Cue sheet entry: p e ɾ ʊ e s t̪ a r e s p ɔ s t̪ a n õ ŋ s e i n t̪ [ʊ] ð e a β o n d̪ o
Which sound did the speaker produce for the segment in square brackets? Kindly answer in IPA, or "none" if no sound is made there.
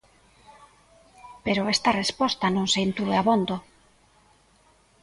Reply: u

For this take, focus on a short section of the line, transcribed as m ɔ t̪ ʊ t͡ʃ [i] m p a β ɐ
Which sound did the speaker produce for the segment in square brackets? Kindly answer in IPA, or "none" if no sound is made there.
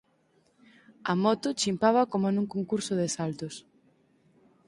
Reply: i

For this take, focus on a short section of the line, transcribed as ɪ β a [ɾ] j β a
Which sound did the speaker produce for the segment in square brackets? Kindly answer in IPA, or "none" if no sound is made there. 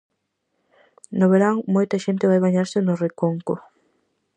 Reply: none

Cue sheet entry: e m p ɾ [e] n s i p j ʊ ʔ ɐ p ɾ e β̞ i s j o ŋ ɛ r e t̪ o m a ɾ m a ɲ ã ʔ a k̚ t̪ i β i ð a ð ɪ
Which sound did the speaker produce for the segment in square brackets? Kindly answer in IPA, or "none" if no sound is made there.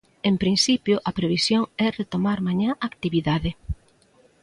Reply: i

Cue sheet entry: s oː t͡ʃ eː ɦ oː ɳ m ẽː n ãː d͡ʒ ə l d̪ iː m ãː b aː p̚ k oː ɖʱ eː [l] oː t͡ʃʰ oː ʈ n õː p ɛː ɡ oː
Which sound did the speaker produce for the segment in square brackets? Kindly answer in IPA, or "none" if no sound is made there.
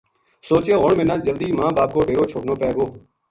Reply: ɾ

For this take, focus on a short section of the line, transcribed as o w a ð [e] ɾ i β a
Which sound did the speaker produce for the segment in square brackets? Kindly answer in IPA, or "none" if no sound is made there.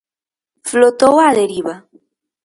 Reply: e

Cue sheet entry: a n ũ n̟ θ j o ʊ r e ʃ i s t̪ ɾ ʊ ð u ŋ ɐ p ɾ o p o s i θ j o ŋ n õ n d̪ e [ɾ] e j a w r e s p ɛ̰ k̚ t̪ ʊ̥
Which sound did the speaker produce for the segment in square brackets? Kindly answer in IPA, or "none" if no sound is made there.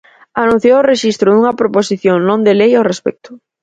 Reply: l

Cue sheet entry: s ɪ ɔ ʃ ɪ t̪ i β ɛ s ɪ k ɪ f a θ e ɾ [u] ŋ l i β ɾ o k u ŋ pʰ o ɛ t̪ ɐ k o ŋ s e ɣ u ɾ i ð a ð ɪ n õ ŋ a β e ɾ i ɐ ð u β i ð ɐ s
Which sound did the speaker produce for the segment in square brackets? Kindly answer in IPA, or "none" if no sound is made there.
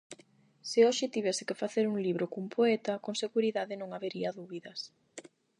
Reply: u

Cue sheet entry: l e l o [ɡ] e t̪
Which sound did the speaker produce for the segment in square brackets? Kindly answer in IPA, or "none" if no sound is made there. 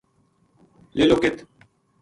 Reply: k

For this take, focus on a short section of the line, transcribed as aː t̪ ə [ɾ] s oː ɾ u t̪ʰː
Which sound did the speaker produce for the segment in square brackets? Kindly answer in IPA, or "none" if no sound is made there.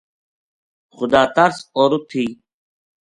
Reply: ɾ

